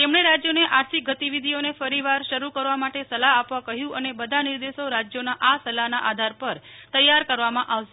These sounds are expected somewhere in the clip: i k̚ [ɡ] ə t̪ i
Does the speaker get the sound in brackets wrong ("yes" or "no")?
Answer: no